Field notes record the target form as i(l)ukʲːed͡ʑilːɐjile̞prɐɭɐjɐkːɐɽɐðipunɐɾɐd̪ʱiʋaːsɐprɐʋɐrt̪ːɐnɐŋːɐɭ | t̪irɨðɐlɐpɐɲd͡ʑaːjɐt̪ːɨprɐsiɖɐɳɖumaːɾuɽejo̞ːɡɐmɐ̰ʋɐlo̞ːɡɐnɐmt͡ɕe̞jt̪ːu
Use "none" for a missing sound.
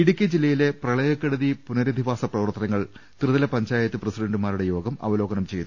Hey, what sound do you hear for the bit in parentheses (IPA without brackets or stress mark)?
ɽ